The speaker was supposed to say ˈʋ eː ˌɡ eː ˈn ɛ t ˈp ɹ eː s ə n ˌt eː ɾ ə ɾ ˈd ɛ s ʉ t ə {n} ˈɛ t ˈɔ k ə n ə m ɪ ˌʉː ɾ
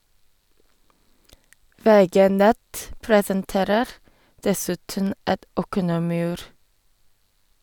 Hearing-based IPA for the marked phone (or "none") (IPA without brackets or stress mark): n